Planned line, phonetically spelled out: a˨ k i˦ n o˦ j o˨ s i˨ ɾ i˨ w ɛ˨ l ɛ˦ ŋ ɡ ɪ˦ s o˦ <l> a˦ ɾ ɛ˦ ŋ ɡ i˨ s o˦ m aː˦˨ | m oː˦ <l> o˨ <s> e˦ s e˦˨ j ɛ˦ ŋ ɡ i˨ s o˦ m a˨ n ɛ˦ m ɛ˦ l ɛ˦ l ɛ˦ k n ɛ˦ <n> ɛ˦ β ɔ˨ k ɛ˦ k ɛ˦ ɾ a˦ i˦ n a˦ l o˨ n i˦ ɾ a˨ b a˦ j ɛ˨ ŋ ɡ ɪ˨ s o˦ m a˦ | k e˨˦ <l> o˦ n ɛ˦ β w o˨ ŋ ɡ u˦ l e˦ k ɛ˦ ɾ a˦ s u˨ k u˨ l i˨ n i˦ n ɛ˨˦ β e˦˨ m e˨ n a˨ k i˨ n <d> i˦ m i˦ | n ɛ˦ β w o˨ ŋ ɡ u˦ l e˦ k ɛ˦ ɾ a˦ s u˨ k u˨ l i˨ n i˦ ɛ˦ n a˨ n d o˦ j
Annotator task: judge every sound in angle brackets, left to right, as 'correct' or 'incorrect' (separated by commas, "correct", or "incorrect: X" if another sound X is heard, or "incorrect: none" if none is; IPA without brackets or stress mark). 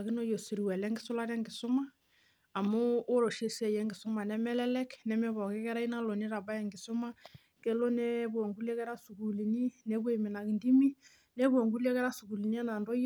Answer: correct, incorrect: ɾ, incorrect: ʃ, incorrect: m, correct, correct